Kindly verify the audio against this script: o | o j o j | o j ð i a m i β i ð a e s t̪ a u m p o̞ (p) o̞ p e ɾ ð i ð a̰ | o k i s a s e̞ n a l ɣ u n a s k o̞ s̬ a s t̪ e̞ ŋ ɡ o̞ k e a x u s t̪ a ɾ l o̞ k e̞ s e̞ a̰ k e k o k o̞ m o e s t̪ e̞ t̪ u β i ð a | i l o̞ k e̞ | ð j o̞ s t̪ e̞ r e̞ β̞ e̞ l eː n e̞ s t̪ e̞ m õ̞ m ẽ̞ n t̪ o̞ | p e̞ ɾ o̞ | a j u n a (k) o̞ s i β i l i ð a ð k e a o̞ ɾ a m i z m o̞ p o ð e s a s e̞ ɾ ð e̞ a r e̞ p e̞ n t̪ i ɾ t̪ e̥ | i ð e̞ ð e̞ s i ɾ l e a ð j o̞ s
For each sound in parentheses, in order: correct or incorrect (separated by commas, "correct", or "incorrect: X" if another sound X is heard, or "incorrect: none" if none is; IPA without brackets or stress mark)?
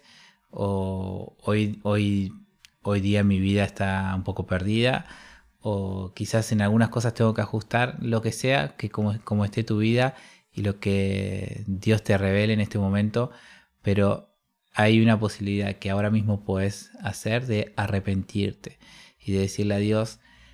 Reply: incorrect: k, incorrect: p